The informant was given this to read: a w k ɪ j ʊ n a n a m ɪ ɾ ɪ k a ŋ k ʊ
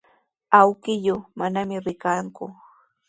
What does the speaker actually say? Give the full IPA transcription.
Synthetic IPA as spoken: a w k ɪ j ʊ m a n a m ɪ ɾ ɪ k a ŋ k ʊ